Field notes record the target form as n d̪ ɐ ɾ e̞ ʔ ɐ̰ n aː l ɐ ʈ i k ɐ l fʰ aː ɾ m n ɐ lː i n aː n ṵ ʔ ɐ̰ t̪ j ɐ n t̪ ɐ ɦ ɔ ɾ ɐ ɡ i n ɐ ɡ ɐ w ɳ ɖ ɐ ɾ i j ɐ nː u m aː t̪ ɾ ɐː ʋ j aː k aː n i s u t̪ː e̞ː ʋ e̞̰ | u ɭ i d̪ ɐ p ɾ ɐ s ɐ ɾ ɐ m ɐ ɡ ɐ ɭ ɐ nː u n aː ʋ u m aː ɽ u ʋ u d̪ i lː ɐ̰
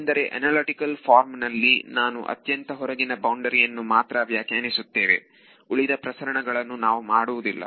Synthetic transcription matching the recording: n d̪ ɐ ɾ e̞ ʔ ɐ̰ n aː l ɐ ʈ i k ɐ l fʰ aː ɾ m n ɐ lː i n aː n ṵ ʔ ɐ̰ t̪ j ɐ n t̪ ɐ ɦ ɔ ɾ ɐ ɡ i n ɐ b ɐ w ɳ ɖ ɐ ɾ i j ɐ nː u m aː t̪ ɾ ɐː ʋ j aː k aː n i s u t̪ː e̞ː ʋ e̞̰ | u ɭ i d̪ ɐ p ɾ ɐ s ɐ ɾ ɐ ɳ ɐ ɡ ɐ ɭ ɐ nː u n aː ʋ u m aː ɽ u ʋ u d̪ i lː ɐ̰